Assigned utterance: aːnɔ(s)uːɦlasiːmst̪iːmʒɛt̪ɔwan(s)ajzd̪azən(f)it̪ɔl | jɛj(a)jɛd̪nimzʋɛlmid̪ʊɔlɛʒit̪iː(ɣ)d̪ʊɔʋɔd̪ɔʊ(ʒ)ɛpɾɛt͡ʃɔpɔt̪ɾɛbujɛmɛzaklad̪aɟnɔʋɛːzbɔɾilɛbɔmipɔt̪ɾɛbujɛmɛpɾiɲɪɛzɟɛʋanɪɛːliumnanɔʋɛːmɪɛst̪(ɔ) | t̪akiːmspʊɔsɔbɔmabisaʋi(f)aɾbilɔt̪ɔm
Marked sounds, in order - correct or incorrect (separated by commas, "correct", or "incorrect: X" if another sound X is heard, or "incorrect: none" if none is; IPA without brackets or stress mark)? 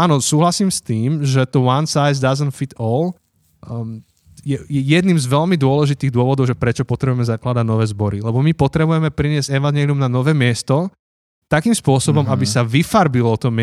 correct, correct, correct, incorrect: ɛ, correct, correct, correct, correct